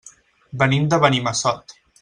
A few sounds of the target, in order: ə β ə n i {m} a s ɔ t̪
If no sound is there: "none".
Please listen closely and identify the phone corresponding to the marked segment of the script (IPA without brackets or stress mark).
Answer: m